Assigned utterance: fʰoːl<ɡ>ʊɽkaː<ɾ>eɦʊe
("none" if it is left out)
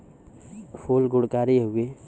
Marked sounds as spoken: ɡ, ɾ

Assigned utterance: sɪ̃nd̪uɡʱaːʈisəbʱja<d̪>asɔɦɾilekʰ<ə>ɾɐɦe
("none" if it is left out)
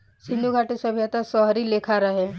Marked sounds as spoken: t̪, a

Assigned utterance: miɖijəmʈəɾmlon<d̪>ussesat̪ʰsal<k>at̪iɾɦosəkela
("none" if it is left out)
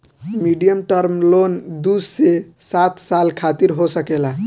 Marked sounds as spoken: d̪, kʰ

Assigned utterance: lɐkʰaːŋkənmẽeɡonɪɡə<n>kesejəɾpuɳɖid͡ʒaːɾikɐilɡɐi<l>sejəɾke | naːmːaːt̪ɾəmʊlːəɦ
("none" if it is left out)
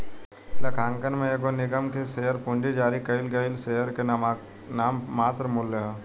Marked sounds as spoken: m, l

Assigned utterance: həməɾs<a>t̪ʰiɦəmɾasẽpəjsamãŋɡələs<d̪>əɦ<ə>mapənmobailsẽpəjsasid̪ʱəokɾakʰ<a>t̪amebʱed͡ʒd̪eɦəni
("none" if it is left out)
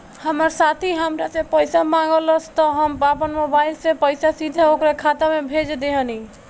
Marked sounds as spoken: a, t̪, ə, a

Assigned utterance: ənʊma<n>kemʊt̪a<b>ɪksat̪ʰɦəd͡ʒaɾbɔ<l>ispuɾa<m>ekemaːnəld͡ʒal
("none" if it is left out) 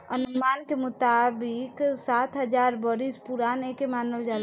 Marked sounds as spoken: n, b, ɾ, n

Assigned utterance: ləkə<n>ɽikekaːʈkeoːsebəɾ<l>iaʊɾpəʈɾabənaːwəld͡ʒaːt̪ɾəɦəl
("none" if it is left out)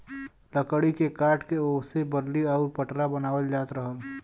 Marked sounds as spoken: none, l

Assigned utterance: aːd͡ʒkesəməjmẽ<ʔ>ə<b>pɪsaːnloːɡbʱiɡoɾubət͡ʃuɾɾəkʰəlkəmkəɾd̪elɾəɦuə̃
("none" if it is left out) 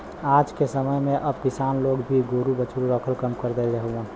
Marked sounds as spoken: ʔ, b

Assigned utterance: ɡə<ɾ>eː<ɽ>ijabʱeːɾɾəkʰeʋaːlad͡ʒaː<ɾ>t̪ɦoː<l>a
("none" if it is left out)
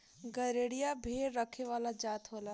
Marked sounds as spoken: ɾ, ɽ, none, l

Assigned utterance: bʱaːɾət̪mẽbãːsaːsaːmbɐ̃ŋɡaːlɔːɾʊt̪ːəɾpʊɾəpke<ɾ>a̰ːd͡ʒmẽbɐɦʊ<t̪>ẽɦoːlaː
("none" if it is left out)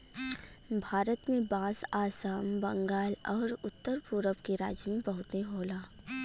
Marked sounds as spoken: ɾ, t̪

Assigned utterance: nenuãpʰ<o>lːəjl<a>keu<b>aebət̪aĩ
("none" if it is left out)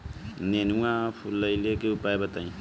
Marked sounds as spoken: u, e, p

